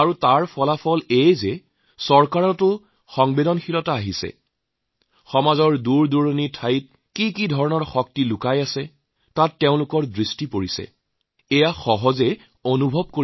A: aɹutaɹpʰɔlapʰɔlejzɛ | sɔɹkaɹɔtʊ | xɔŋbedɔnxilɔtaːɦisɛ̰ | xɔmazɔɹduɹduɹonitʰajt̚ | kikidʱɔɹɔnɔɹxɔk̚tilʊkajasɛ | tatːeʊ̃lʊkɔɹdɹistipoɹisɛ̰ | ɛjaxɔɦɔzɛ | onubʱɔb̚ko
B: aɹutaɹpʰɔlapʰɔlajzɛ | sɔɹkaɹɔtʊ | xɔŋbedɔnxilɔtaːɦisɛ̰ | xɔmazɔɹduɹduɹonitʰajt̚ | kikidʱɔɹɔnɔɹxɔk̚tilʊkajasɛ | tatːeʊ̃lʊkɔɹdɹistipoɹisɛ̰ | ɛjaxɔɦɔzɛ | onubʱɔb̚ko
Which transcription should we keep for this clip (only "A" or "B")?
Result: A